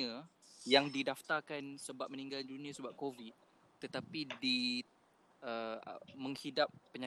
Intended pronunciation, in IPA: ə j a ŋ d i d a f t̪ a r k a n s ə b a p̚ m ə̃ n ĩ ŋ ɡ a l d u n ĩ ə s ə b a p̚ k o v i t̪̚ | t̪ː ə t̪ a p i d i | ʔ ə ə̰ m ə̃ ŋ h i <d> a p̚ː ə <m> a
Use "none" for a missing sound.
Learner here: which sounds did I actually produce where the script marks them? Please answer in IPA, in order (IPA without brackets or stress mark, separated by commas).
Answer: d, ɲ